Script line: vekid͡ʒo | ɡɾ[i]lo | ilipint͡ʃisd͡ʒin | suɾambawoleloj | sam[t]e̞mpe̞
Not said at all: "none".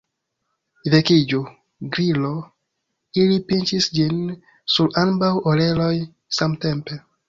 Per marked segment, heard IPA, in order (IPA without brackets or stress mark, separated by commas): i, t